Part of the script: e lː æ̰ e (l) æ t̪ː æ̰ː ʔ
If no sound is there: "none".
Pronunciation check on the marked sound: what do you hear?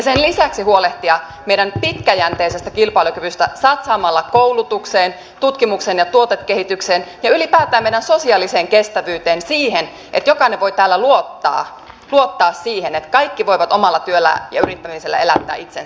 l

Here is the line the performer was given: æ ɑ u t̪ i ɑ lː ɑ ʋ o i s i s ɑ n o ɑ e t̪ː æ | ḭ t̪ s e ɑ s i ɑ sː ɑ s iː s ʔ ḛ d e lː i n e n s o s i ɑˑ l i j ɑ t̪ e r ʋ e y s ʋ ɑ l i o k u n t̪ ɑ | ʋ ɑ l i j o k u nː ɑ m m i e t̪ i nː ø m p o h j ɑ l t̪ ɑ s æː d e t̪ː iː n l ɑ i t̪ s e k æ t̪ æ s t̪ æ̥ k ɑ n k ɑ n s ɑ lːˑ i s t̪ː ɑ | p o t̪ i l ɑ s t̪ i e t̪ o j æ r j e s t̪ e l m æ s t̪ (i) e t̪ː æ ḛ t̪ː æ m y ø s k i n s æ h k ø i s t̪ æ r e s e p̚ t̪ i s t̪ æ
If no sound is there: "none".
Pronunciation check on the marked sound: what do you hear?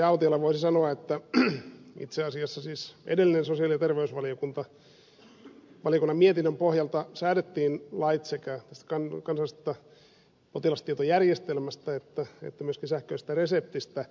æ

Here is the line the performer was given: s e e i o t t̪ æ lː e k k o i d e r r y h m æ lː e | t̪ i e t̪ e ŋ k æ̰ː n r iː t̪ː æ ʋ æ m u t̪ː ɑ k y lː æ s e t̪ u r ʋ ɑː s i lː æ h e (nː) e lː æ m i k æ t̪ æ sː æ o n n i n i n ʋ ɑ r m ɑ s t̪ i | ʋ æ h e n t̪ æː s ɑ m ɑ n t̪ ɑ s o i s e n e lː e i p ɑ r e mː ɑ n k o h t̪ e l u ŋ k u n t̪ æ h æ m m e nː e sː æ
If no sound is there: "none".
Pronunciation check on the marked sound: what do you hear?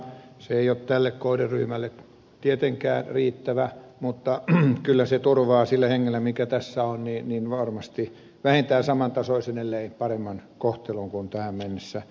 ŋː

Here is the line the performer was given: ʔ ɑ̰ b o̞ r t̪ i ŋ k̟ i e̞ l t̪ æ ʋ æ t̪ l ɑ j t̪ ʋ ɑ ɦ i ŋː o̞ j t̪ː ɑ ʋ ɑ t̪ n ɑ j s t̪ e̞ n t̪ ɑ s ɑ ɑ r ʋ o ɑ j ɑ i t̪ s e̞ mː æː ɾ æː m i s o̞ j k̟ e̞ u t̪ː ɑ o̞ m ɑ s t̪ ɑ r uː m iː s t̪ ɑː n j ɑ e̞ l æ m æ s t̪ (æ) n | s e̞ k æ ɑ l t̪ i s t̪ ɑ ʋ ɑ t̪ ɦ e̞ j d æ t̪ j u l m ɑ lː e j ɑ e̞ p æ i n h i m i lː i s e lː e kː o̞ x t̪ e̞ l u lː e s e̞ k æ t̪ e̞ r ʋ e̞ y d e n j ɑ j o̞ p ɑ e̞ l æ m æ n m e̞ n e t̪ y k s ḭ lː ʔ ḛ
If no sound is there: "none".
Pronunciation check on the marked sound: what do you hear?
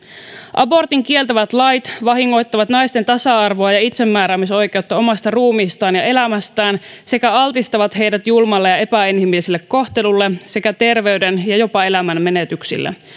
æː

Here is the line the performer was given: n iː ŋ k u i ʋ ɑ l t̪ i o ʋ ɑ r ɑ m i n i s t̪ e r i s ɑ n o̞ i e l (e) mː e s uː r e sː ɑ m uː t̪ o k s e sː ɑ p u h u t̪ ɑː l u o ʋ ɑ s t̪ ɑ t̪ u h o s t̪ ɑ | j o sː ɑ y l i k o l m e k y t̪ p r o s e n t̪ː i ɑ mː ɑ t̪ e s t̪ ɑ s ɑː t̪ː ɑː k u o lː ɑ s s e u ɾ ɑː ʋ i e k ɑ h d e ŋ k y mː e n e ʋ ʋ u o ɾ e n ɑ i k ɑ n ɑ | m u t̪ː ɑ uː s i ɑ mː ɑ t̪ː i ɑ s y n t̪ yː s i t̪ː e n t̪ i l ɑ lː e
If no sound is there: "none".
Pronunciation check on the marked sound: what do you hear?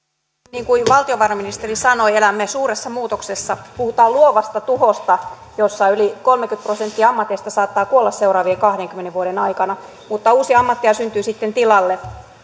æ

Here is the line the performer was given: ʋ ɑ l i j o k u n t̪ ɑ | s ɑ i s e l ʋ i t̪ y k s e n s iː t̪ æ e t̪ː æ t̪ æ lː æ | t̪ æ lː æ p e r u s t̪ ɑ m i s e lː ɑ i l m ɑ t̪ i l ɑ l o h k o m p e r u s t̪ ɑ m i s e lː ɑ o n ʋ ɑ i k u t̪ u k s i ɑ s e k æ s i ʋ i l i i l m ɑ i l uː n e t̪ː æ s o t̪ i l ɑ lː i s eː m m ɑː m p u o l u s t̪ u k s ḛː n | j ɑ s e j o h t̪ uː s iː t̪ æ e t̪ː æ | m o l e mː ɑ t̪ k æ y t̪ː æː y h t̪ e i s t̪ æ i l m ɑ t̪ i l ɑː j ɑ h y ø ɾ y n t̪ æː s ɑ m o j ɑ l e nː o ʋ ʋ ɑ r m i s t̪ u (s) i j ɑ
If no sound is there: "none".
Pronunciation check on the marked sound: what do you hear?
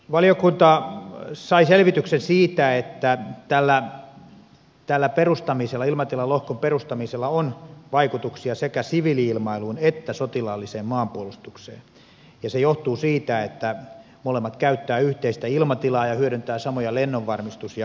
s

